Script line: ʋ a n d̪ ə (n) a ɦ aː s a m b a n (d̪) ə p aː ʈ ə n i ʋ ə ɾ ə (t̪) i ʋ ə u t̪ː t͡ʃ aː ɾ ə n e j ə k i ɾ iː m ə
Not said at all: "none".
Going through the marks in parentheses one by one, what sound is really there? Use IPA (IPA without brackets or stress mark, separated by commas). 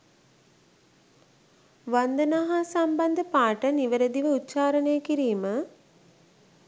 n, d̪, d̪